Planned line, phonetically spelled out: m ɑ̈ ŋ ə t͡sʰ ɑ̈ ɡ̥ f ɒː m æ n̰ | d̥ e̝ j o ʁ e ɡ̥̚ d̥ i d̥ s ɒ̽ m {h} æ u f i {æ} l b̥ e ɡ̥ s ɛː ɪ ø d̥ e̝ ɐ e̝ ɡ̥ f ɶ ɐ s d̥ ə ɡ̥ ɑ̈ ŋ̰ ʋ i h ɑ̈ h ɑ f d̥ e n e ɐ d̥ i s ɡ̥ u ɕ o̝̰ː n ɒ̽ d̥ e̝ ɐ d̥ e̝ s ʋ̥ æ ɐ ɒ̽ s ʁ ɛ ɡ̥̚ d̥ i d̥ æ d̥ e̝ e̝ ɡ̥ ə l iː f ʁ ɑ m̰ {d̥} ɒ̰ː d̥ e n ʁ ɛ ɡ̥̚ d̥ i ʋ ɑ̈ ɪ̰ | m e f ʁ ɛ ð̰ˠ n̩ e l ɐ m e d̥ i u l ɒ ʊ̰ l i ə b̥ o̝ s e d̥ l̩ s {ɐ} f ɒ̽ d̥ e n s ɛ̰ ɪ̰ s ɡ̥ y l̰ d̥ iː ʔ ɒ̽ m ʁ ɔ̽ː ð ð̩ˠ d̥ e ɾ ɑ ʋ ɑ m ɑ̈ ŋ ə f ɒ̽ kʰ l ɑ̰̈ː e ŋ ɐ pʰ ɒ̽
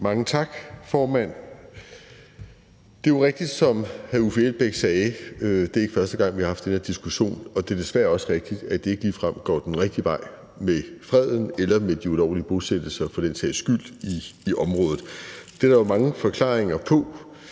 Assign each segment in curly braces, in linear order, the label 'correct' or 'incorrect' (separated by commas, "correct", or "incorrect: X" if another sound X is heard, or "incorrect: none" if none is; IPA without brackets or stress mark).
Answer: correct, incorrect: e, incorrect: ɡ̥, correct